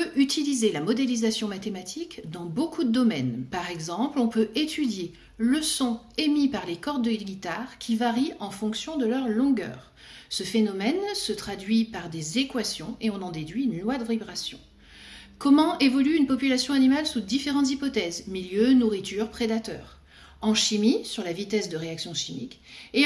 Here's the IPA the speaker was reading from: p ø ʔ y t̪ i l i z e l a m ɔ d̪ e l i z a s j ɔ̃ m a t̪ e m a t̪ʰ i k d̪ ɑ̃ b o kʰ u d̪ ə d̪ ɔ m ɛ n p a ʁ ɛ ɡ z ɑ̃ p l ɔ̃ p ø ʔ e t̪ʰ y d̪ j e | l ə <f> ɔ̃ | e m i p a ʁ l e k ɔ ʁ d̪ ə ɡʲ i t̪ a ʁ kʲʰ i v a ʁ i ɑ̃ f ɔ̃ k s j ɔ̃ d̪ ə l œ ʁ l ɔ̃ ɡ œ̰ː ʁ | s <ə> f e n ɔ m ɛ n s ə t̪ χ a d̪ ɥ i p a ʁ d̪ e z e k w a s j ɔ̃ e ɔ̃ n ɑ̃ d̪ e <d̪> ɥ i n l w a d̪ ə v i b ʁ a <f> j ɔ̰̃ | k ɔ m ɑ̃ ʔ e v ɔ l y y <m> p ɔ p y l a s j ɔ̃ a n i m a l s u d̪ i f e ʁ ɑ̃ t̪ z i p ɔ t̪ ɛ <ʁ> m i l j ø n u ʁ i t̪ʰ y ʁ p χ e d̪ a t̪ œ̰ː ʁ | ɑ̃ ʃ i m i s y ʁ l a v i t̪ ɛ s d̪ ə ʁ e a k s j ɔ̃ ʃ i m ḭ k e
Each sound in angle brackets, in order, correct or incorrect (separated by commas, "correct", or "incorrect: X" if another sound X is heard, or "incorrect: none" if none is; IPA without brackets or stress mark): incorrect: s, correct, correct, incorrect: s, incorrect: n, incorrect: z